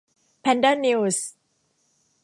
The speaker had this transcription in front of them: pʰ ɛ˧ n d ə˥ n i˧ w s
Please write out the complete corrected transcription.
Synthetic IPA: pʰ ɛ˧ n d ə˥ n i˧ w s